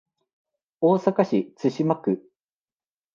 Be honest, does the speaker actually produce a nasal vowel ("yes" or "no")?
no